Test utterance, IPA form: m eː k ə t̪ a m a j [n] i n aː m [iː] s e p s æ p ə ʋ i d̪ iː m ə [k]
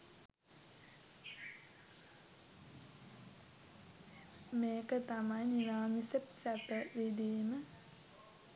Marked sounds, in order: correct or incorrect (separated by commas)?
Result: correct, incorrect, incorrect